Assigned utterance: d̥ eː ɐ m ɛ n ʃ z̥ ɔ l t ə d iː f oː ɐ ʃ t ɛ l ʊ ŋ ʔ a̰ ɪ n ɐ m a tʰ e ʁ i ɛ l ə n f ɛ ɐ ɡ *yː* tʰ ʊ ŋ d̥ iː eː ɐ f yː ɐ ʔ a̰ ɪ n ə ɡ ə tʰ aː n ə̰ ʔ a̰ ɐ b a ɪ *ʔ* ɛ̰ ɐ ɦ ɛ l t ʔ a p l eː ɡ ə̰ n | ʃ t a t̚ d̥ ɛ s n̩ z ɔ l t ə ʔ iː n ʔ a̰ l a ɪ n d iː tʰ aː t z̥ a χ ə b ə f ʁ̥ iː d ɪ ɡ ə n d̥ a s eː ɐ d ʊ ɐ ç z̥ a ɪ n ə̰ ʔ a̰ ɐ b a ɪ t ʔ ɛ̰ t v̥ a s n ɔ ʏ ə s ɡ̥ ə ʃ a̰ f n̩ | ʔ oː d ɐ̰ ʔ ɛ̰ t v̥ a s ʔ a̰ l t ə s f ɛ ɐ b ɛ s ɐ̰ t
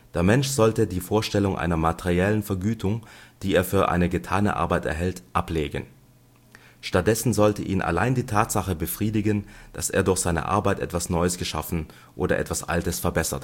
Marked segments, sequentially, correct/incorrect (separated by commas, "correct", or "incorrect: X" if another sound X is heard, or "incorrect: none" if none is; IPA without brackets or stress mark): correct, incorrect: t